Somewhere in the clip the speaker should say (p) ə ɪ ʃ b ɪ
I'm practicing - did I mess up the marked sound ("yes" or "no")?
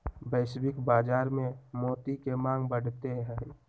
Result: yes